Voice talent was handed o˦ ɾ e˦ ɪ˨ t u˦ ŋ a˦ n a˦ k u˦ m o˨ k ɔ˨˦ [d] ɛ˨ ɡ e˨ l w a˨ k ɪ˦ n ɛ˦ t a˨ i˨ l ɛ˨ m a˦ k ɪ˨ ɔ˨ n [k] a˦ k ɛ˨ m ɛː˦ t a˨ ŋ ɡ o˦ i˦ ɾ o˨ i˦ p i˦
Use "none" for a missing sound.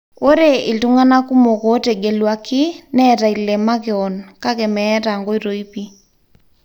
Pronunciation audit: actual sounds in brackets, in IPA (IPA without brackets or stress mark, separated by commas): t, k